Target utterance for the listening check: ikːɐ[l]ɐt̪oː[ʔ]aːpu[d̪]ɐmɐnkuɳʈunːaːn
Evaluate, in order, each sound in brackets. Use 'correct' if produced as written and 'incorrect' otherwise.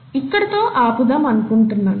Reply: incorrect: ɽ, correct, correct

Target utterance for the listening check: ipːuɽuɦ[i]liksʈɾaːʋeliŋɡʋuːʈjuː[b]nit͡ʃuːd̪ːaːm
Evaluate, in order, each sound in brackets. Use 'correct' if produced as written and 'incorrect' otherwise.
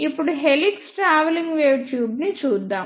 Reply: incorrect: e, correct

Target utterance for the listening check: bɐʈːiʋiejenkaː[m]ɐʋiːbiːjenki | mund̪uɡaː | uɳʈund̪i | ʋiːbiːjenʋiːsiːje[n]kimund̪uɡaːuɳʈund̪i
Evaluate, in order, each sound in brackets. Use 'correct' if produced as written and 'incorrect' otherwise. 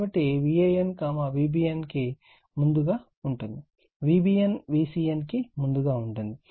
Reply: correct, correct

